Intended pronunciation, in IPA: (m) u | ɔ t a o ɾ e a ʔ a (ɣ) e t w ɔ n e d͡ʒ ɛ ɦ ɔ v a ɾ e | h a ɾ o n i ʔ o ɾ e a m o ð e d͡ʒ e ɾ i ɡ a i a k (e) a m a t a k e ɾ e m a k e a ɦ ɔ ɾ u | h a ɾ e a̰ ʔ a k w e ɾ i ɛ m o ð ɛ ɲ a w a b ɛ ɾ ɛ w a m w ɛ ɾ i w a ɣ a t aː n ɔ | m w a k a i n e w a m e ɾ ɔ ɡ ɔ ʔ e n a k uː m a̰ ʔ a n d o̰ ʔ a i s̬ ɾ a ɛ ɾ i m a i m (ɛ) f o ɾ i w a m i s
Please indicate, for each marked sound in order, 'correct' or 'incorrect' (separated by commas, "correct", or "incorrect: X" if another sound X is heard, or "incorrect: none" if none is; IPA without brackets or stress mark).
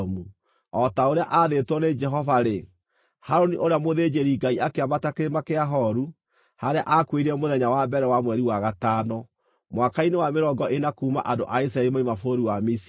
correct, incorrect: ð, correct, incorrect: a